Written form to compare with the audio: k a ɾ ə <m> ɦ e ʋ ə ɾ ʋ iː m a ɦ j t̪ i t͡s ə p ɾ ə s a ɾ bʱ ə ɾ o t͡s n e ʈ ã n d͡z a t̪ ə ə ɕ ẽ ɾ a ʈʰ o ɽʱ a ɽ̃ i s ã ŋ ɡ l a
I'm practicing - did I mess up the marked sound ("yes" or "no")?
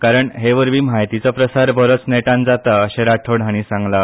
yes